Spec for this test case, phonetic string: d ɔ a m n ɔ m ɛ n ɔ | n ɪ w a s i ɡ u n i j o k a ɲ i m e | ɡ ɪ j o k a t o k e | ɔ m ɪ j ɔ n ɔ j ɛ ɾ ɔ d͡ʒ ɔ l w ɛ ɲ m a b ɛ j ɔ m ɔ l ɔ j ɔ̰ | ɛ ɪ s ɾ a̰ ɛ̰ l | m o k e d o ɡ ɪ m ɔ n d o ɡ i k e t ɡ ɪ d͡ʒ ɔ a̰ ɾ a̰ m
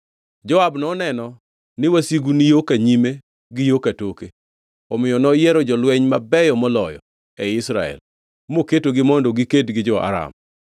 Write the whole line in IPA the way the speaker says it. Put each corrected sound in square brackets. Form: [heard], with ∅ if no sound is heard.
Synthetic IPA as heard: [d͡ʒ] ɔ a [b] n ɔ [n] ɛ n ɔ | n ɪ w a s i ɡ u n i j o k a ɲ i m e | ɡ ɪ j o k a t o k e | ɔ m ɪ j ɔ n ɔ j ɛ ɾ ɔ d͡ʒ ɔ l w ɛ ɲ m a b ɛ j ɔ m ɔ l ɔ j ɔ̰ | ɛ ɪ s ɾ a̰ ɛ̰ l | m o k e [t] o ɡ ɪ m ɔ n d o ɡ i k e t ɡ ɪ d͡ʒ ɔ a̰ ɾ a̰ m